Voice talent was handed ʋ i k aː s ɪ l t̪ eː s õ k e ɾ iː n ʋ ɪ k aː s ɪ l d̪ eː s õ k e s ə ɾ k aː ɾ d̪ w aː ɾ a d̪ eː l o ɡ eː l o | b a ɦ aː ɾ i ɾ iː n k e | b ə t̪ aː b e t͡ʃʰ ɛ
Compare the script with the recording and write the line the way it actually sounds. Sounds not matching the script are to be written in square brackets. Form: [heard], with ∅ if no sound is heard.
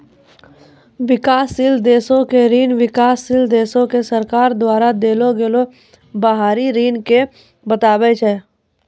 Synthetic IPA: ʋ [ɪ] k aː s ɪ l [d̪] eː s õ k e ɾ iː n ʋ ɪ k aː s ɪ l d̪ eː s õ k e s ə ɾ k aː ɾ d̪ w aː ɾ a d̪ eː l o ɡ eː l o | b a ɦ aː ɾ i ɾ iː n k e | b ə t̪ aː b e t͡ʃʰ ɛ